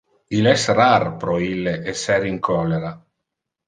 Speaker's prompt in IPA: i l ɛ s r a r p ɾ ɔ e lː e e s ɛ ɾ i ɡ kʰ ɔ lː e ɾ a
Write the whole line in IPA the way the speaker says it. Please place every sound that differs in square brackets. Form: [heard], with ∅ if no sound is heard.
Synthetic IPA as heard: i l ɛ s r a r p ɾ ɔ [i] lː e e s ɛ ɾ i [ŋ] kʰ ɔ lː e ɾ a